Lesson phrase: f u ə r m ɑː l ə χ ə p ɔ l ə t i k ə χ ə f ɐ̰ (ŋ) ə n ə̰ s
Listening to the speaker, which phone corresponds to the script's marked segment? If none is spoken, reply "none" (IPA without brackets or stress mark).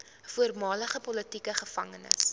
ŋ